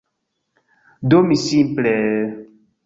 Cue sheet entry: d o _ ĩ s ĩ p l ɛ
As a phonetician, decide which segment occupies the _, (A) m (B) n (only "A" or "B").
A